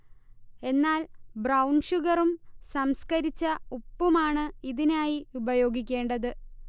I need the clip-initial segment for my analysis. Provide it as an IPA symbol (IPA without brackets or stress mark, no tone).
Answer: e̞